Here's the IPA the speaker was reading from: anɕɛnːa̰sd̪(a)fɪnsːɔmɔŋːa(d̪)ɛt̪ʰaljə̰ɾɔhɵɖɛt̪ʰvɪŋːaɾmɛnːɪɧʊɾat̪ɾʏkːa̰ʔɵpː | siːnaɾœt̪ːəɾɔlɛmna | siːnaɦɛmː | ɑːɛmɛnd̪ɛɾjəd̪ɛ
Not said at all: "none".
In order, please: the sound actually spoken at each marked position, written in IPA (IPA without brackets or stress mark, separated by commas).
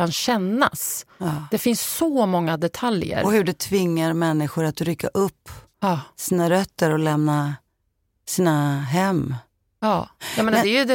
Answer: ɛ, d̪